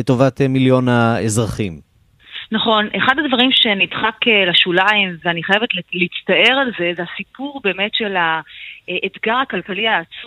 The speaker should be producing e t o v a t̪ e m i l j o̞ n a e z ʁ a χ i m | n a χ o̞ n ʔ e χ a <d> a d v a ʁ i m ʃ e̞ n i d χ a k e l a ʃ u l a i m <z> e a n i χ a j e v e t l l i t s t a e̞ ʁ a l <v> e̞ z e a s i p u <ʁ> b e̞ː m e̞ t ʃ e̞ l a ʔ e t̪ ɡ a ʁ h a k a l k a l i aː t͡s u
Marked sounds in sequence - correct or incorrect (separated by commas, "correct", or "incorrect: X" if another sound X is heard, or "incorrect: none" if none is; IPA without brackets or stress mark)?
correct, incorrect: v, incorrect: z, correct